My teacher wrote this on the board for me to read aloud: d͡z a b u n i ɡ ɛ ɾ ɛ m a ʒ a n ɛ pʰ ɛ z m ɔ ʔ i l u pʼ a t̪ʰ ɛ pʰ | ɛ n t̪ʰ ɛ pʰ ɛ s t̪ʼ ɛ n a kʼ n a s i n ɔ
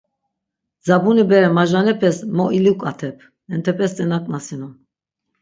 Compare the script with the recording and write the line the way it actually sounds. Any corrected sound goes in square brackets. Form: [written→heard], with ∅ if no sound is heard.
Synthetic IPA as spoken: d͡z a b u n i [ɡ→b] ɛ ɾ ɛ m a ʒ a n ɛ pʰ ɛ [z→s] m ɔ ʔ i l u [pʼ→kʼ] a t̪ʰ ɛ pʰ | ɛ n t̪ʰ ɛ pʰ ɛ s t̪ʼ ɛ n a kʼ n a s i n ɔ